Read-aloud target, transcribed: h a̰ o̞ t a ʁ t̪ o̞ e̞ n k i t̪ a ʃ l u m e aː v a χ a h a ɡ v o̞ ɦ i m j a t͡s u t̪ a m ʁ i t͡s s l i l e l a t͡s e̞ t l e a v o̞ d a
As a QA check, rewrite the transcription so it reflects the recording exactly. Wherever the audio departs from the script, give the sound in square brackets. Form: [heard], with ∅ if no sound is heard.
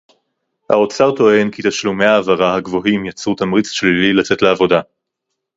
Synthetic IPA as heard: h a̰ o̞ [t͡s] a ʁ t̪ o̞ e̞ n k i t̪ a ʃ l u m e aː v a [ʁ] a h a ɡ v o̞ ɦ i m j a t͡s u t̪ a m ʁ i t͡s [ʃ] l i l [i] l a t͡s e̞ t l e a v o̞ d a